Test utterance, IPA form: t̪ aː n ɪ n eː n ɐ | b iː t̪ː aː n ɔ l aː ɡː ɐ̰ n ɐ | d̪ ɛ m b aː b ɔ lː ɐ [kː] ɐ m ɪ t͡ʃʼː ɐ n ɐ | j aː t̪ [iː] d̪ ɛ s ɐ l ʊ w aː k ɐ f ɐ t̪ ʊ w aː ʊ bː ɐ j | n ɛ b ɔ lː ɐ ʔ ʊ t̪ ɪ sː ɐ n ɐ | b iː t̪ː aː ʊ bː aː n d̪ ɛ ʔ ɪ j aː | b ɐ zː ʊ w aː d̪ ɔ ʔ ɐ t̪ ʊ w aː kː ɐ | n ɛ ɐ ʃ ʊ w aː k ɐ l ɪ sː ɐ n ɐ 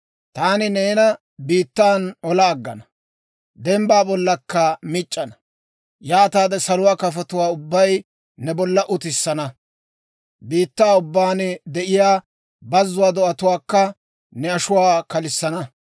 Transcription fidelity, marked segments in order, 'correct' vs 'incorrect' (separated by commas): correct, incorrect